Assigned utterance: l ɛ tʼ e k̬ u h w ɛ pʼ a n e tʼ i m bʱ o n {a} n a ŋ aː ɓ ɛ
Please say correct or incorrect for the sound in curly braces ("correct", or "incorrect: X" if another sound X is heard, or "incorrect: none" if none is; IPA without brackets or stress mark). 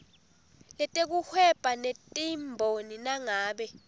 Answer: incorrect: i